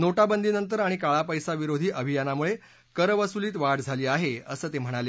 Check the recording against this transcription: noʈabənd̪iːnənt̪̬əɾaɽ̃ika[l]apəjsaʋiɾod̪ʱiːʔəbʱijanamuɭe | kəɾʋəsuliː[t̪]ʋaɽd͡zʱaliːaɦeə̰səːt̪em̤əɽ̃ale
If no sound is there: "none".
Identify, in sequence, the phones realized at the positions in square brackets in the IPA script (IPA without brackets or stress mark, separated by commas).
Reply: ɭ, t̪